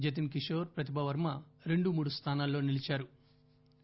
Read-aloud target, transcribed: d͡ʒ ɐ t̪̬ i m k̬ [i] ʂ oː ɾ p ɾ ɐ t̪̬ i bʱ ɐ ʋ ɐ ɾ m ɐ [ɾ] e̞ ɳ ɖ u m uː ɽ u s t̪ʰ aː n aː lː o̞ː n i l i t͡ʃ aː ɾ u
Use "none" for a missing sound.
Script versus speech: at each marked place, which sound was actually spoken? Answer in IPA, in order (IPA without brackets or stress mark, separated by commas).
i, ɾ